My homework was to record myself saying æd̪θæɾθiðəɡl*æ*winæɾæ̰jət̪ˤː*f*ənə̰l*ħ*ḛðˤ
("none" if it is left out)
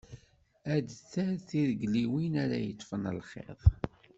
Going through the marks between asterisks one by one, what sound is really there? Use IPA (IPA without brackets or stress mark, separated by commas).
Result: i, f, χ